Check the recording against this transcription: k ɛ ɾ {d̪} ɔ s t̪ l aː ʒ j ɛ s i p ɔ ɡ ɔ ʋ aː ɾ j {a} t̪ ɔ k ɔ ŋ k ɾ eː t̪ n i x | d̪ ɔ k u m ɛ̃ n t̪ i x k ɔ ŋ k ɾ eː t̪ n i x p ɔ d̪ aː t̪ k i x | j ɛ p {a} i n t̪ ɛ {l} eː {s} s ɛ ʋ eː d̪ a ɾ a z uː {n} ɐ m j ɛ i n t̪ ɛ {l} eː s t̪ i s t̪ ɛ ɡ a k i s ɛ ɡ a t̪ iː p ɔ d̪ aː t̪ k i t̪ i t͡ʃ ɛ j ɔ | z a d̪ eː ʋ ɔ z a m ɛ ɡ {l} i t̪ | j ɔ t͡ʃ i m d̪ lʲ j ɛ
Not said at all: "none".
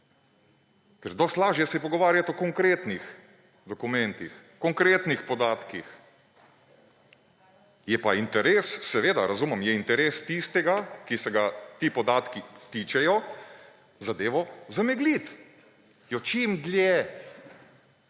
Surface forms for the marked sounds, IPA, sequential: d̪, a, a, ɾ, s, m, ɾ, l

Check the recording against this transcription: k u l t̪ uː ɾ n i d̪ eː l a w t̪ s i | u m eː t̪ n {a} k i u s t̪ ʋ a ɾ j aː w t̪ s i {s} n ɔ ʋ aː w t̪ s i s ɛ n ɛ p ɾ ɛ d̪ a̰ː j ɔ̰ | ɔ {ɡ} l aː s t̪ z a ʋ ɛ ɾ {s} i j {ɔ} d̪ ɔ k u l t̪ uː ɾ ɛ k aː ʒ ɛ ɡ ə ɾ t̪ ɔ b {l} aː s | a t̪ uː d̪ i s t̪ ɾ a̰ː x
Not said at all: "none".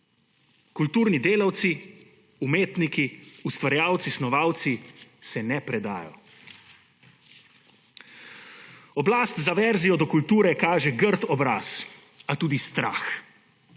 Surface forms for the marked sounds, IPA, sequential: i, s, b, z, ɔ, ɾ

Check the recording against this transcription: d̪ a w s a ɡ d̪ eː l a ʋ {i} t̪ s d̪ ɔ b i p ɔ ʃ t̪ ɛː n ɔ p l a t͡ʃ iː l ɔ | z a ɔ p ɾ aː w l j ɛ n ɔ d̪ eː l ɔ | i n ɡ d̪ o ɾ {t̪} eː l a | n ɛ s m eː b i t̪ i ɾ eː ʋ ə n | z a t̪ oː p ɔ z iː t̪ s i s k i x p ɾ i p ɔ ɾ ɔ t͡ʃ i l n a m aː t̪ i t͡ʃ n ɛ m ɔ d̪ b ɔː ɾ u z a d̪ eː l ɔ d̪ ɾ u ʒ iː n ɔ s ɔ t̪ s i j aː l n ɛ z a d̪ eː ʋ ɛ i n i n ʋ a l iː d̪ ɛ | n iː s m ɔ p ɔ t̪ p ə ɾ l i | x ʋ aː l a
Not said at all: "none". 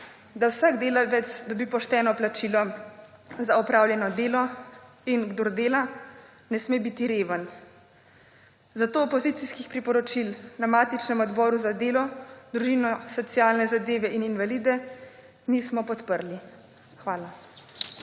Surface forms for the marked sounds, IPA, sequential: ɛ, d̪

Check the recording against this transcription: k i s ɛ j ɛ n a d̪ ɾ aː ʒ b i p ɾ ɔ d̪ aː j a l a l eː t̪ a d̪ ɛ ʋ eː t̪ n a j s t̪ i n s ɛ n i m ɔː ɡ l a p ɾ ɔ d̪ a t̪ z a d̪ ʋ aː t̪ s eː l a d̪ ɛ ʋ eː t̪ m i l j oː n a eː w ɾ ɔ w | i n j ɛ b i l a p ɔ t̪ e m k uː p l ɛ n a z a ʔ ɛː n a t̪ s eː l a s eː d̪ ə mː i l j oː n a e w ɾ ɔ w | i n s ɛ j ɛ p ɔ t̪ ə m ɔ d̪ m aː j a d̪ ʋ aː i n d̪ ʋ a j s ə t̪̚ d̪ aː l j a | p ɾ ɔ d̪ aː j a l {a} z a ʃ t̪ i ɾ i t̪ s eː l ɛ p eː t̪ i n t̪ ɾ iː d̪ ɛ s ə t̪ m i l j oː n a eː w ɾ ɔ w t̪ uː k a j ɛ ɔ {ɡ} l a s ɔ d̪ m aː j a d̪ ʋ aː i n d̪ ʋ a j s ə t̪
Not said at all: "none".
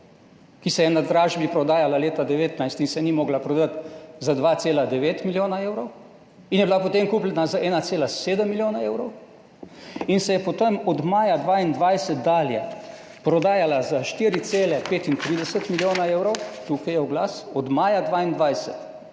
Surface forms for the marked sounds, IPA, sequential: a, ɡ

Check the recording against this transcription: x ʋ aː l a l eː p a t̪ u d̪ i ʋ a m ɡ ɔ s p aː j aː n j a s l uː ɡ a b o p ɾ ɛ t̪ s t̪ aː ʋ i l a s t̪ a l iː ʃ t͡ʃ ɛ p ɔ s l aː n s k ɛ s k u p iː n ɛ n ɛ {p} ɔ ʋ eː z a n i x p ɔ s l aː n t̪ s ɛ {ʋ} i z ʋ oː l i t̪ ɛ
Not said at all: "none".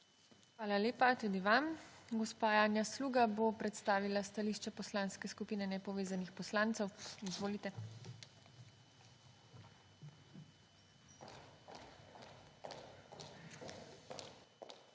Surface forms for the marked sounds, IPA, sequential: p, w

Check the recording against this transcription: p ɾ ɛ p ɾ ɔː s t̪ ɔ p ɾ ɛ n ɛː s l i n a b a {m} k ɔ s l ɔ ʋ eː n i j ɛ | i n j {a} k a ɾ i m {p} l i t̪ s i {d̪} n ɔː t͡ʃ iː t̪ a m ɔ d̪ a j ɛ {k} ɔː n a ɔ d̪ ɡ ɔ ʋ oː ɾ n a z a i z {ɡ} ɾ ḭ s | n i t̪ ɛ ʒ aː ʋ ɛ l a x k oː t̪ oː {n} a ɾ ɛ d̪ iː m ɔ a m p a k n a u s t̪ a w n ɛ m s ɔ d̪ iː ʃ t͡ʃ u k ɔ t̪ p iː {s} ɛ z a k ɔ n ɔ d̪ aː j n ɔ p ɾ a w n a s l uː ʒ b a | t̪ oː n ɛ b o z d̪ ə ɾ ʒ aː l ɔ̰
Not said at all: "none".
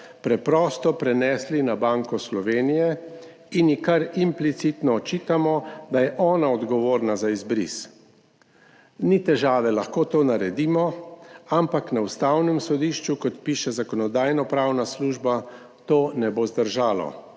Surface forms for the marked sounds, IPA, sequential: ŋ, i, p, t̪, ʔ, b, n, ʃ

